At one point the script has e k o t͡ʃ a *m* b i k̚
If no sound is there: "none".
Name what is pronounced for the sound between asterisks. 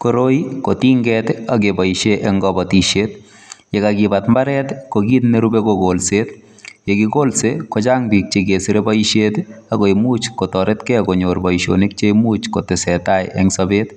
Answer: ŋ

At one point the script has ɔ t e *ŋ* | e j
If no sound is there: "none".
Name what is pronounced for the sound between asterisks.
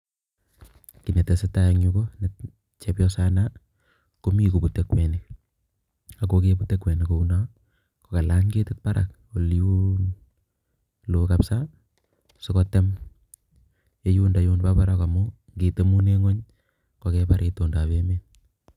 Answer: m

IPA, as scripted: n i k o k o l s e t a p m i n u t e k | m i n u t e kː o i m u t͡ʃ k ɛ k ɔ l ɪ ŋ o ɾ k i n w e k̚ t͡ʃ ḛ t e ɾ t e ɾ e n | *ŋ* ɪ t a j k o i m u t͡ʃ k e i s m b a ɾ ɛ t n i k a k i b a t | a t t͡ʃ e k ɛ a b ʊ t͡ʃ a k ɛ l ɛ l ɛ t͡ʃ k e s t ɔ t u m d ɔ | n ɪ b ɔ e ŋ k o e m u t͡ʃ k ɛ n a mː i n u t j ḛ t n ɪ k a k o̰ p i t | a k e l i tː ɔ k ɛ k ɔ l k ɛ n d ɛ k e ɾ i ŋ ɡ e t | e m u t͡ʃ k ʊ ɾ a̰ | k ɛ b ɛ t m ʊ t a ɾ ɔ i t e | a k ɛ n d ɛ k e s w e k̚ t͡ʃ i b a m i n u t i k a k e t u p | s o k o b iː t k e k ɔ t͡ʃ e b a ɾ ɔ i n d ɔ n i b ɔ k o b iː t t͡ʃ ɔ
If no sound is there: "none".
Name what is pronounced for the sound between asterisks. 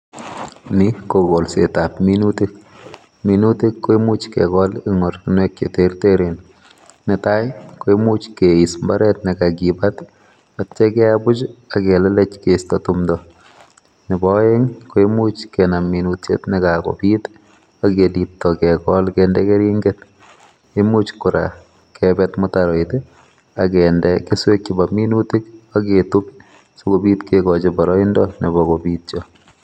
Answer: n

